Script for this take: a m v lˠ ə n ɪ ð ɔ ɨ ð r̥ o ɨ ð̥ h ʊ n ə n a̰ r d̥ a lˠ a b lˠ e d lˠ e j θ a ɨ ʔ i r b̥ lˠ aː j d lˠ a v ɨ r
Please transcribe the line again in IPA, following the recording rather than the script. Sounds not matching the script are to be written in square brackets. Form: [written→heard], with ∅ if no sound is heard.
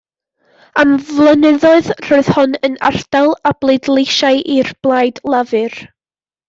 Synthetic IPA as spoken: a m v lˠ ə n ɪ ð ɔ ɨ ð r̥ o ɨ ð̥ h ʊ n ə n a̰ r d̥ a lˠ a b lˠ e d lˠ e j [θ→ʃ] a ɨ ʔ i r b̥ lˠ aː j d lˠ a v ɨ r